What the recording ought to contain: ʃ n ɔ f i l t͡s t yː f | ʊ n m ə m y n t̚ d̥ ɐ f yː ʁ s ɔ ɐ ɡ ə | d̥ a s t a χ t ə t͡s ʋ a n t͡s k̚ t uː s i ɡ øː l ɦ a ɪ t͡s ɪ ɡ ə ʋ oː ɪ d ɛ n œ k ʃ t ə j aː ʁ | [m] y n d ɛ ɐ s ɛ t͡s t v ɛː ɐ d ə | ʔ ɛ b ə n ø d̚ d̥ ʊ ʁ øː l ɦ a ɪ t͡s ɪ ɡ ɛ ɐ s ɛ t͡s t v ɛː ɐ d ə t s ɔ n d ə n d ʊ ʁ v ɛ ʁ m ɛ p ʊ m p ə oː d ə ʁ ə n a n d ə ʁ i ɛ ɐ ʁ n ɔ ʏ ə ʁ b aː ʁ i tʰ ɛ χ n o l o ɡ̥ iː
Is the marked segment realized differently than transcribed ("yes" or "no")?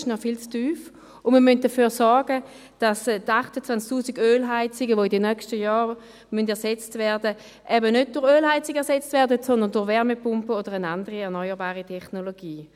no